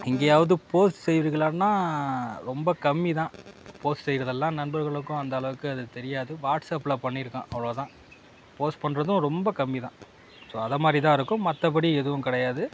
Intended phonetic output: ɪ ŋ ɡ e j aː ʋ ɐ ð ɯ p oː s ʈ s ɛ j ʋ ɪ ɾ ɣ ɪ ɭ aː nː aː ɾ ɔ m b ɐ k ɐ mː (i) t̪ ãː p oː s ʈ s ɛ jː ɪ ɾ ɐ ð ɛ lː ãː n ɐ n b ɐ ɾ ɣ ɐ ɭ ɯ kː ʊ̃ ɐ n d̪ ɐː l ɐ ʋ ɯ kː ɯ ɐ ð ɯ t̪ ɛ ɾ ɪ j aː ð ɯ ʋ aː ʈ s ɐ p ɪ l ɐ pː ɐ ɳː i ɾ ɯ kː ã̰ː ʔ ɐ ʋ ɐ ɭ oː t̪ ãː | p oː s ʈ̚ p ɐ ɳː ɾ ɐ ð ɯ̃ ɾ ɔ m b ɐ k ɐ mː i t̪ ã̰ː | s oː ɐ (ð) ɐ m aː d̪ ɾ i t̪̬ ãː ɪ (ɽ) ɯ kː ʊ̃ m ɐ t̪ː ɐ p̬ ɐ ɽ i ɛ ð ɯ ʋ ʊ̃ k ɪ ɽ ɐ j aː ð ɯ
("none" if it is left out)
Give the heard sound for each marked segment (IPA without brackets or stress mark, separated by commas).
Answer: i, ð, ɾ